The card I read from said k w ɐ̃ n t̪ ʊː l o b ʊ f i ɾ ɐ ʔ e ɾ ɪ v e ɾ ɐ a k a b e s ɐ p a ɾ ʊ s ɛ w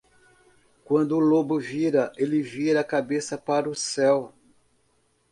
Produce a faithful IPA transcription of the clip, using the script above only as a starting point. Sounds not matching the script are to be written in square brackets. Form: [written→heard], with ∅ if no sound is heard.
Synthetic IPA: k w ɐ̃ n [t̪→d̪] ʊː l o b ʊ [f→v] i ɾ ɐ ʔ e [ɾ→l] ɪ v [e→i] ɾ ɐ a k a b e s ɐ p a ɾ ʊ s ɛ w